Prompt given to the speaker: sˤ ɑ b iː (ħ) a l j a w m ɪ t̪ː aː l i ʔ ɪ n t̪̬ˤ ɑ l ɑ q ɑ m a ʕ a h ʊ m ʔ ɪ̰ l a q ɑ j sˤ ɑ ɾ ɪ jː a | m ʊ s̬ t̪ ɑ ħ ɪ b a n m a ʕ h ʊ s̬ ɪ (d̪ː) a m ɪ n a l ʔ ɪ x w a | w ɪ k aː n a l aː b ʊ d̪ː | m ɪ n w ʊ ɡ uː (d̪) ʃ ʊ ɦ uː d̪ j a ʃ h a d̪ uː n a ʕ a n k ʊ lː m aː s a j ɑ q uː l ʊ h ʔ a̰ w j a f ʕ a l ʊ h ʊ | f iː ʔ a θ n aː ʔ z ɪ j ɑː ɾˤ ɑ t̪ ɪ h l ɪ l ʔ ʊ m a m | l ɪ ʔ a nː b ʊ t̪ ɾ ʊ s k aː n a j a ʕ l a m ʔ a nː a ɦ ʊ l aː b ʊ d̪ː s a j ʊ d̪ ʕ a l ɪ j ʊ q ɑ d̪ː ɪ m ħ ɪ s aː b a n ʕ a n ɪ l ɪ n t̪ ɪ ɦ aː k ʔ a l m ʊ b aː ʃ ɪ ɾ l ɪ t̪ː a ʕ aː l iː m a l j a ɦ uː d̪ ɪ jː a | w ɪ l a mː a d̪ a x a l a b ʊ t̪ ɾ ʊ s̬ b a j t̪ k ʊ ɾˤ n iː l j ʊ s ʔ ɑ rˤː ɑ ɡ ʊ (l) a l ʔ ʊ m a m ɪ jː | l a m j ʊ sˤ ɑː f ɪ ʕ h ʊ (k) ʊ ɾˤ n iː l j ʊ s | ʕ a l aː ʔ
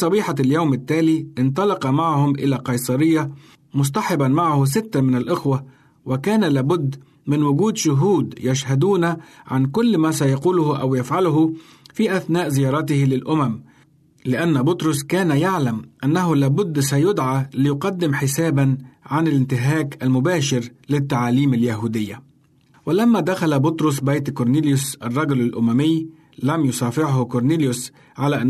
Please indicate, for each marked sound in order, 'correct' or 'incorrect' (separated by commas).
correct, incorrect, correct, correct, correct